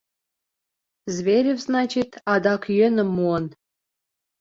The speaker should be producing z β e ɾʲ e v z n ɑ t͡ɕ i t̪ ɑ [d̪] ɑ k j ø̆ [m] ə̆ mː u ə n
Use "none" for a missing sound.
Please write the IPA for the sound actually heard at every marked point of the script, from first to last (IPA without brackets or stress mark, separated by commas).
d̪, n